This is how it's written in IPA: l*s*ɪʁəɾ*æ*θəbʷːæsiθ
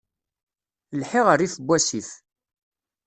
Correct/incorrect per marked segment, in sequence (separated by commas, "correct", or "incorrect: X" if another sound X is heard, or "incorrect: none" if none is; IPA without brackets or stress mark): incorrect: ħ, incorrect: i